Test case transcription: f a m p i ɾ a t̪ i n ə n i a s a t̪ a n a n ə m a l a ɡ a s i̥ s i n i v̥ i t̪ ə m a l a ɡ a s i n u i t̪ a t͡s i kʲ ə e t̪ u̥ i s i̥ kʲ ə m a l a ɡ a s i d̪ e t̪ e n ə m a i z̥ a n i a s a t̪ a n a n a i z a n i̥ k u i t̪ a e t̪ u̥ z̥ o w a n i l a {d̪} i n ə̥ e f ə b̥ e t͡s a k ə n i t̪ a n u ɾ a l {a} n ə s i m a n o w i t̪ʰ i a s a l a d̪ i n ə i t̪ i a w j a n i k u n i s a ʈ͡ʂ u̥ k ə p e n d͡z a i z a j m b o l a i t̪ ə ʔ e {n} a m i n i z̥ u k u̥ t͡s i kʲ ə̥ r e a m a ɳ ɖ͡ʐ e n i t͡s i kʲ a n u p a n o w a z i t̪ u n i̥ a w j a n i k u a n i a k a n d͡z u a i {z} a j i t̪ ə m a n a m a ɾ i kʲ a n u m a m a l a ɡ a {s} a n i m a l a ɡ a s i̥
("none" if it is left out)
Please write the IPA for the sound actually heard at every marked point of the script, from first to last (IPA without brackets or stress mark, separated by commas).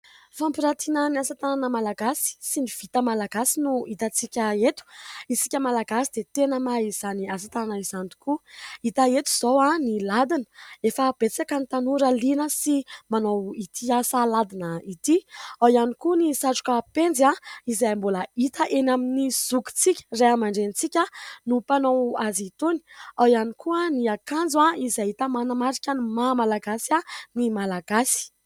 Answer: d̪, i, n, z, s